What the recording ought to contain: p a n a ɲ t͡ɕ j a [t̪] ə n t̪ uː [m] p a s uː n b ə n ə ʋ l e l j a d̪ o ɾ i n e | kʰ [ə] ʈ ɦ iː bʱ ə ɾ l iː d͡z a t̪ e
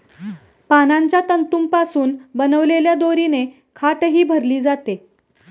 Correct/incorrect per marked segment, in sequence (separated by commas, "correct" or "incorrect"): correct, correct, incorrect